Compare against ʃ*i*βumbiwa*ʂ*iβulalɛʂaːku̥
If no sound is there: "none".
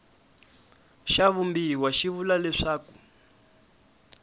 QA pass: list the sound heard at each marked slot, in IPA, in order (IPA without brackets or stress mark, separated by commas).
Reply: a, ʃ